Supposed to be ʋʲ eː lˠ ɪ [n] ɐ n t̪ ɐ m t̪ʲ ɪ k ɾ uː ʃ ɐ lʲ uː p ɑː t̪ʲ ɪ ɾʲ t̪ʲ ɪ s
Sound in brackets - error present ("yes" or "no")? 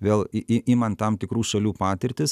yes